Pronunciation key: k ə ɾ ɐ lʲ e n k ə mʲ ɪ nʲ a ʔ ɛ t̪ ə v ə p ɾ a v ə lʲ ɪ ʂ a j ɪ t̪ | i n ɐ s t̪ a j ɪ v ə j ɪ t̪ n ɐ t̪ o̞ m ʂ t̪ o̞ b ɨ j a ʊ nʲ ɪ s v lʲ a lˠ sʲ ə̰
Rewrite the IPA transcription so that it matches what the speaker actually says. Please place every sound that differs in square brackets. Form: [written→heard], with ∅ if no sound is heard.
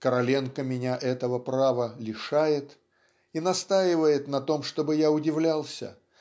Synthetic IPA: k ə ɾ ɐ lʲ e n k ə mʲ ɪ nʲ a ʔ ɛ t̪ ə v ə p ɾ a v ə lʲ ɪ ʂ a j ɪ t̪ | i n ɐ s t̪ a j ɪ v ə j ɪ t̪ n ɐ t̪ o̞ m ʂ t̪ o̞ b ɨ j a ʊ [nʲ→dʲ] ɪ [s→∅] v lʲ a lˠ sʲ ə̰